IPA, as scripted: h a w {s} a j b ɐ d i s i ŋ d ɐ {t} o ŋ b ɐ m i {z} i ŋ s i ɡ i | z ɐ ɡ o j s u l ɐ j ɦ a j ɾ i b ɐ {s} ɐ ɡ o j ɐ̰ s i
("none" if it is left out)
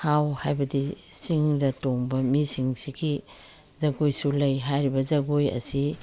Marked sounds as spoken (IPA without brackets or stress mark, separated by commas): h, t, s, z